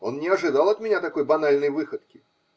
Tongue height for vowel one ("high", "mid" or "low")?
mid